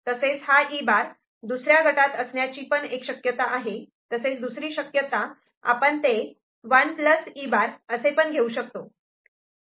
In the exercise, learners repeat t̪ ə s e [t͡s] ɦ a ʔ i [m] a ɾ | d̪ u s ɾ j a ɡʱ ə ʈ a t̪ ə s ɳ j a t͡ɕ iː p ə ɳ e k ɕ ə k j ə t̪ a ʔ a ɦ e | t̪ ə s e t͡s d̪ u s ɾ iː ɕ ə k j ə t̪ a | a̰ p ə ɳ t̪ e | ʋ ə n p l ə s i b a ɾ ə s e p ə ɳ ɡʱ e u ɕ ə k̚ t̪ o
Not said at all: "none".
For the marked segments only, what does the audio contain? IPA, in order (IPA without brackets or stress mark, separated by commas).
t͡s, b